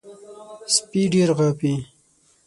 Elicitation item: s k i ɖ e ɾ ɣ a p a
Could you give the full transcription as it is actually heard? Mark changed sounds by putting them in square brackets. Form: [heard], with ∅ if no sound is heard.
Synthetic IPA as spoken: s [p] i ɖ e ɾ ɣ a p [i]